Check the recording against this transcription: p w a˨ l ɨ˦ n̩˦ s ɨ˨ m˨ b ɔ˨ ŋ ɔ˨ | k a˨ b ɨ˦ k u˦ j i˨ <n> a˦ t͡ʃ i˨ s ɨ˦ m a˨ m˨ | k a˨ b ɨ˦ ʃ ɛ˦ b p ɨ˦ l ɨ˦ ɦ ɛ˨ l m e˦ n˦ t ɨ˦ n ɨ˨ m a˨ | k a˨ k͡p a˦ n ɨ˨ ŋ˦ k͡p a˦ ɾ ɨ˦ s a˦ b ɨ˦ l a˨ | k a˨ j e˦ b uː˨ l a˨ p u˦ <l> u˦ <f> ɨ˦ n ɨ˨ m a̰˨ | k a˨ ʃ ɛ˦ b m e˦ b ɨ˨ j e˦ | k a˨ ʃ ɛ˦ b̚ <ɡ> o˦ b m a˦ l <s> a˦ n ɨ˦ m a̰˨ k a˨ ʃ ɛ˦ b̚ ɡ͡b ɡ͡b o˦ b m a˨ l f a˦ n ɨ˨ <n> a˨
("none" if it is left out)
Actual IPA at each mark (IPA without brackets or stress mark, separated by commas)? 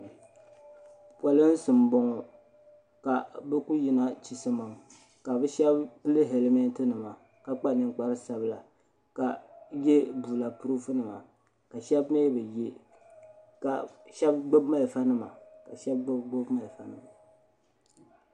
n, ɾ, f, ɡ͡b, f, m